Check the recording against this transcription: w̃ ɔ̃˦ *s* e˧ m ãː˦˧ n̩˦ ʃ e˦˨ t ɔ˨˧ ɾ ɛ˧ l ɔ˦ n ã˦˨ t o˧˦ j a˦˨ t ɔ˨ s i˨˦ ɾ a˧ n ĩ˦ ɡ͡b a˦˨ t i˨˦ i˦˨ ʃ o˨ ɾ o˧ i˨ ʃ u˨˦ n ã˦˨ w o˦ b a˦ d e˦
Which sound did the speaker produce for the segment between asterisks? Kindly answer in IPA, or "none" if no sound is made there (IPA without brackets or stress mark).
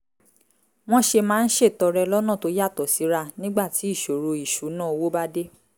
ʃ